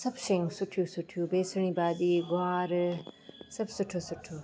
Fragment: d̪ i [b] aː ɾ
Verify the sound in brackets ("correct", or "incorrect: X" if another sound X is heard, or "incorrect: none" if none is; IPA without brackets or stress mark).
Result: incorrect: ɡ